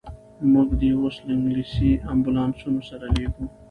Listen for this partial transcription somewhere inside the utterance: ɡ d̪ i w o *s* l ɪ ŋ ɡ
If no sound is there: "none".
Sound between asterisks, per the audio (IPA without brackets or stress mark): s